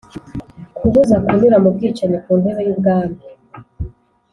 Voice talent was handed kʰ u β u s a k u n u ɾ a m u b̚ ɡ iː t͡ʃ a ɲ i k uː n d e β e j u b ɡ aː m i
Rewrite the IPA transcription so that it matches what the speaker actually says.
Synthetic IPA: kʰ u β u z a k u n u ɾ a m u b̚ ɡ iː t͡ʃ a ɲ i k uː n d e β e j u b ɡ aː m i